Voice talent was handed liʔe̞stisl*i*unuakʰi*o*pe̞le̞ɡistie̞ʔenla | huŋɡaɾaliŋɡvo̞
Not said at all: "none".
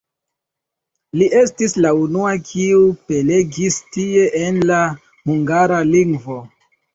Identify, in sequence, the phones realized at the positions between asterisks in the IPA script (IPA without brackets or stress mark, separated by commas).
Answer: a, u